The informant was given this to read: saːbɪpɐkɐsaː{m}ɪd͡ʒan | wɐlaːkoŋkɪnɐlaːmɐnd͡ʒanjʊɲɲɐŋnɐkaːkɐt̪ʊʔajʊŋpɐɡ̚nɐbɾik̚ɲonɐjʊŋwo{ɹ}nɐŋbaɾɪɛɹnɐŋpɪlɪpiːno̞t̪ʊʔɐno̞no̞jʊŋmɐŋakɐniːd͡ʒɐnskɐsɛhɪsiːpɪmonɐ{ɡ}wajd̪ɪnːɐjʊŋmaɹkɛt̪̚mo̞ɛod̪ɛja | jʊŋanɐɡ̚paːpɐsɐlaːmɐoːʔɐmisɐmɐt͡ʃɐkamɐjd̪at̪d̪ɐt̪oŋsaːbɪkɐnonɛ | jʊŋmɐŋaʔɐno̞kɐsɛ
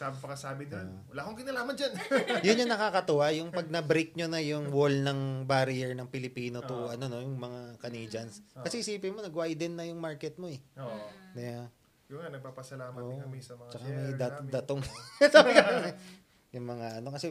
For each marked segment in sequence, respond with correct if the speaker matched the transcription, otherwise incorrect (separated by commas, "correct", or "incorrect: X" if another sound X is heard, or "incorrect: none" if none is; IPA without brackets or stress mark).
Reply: incorrect: b, incorrect: l, correct